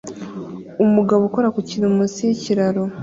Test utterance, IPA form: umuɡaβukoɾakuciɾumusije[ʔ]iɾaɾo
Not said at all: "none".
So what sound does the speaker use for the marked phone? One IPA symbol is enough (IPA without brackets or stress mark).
c